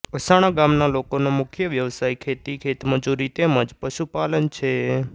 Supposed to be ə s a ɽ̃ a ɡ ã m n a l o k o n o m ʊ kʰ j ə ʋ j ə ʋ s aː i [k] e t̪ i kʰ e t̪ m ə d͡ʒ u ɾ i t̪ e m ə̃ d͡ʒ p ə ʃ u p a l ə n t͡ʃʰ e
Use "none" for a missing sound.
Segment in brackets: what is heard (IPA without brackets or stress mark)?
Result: kʰ